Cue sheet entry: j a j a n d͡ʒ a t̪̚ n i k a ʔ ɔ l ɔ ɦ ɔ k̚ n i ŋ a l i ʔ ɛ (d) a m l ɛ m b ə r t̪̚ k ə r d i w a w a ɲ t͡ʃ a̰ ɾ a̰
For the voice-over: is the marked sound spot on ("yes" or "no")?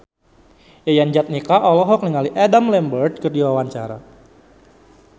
yes